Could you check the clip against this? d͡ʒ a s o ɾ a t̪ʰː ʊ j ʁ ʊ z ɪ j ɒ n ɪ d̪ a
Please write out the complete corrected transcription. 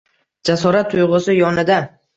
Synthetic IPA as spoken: d͡ʒ a s ɒ ɾ a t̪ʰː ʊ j ʁ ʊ s ɪ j ɒ n ɪ d̪ a